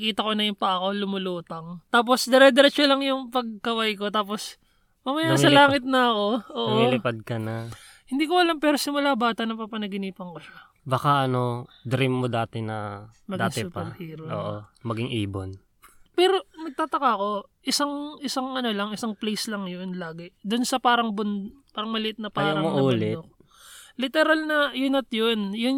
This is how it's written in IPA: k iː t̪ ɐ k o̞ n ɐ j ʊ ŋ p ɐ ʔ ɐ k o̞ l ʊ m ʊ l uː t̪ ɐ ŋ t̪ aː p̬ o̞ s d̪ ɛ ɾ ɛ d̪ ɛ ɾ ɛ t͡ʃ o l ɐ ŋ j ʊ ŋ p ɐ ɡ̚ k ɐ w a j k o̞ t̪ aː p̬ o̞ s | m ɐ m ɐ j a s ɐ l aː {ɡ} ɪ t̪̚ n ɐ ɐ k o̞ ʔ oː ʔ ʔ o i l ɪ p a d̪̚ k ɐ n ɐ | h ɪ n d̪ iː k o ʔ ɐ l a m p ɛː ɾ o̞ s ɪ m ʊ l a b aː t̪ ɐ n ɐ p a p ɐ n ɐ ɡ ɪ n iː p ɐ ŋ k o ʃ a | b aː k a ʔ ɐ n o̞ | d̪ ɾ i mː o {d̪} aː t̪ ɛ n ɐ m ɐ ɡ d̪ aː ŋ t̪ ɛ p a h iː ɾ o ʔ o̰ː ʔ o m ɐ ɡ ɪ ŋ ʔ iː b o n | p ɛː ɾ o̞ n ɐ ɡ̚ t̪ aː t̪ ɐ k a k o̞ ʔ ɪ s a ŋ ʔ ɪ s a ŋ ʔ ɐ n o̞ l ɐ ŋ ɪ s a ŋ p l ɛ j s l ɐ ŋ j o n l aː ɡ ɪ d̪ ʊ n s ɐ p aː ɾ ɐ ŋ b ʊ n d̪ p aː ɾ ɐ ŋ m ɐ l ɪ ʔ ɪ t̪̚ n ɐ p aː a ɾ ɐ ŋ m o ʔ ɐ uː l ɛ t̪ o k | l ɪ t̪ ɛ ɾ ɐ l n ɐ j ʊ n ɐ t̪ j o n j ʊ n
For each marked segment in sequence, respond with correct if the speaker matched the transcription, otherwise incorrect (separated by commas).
incorrect, correct